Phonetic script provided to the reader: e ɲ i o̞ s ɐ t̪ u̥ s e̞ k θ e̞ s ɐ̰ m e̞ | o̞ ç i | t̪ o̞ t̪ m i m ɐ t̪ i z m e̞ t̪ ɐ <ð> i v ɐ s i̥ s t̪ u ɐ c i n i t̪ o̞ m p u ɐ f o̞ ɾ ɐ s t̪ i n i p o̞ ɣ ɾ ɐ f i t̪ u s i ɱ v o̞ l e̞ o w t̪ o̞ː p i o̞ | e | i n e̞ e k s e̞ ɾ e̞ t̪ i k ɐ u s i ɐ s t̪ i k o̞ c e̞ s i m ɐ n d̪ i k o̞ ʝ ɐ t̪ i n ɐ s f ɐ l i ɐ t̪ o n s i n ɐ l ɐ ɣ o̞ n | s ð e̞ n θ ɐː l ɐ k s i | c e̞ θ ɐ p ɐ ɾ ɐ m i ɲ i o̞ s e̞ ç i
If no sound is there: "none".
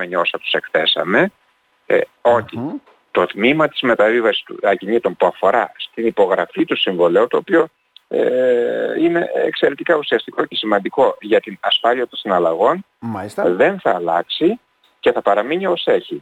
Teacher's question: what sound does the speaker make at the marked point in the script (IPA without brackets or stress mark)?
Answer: v